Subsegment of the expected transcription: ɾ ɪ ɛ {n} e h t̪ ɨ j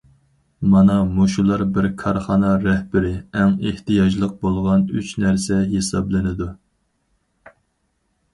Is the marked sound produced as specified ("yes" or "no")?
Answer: no